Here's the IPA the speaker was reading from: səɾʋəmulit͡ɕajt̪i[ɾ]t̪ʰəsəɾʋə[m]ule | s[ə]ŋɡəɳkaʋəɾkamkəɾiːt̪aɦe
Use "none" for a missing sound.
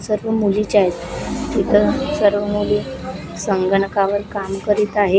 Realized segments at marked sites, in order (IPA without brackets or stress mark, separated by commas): none, m, ə